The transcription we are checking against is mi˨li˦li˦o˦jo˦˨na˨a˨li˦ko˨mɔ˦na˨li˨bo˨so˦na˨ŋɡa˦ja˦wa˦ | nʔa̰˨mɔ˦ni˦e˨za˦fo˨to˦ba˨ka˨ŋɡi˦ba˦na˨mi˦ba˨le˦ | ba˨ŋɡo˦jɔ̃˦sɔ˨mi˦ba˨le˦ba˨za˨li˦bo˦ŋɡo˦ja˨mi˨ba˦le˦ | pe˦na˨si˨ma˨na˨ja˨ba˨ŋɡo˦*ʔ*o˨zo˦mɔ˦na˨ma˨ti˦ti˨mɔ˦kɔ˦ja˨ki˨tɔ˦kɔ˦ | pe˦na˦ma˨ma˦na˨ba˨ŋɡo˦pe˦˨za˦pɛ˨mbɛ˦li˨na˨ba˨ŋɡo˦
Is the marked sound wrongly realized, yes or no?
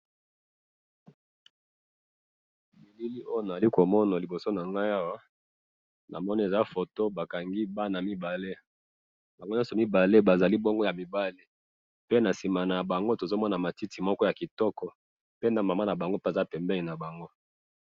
yes